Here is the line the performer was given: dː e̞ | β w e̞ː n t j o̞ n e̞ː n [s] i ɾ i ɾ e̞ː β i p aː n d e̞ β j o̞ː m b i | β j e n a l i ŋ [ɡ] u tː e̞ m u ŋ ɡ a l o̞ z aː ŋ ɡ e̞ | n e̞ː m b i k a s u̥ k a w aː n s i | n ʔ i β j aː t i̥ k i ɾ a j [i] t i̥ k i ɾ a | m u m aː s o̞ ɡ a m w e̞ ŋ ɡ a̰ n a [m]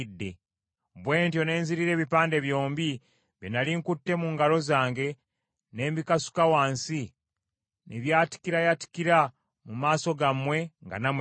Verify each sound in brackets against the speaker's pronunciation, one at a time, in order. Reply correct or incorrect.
incorrect: z, incorrect: k, incorrect: a, correct

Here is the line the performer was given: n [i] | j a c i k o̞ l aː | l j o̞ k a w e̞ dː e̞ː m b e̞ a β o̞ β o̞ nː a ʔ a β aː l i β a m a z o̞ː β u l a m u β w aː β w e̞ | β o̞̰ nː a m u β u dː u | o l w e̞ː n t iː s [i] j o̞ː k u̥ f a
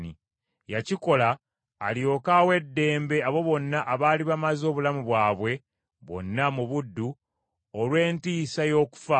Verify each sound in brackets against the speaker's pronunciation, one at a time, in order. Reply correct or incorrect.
correct, incorrect: a

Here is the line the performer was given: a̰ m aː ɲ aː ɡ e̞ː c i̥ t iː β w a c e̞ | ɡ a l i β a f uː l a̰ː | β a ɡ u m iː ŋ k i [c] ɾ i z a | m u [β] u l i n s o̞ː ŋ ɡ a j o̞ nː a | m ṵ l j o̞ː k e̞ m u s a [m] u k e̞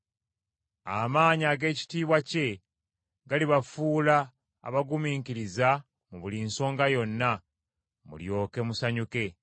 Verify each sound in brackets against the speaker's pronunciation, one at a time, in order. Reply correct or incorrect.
incorrect: none, correct, incorrect: ɲ

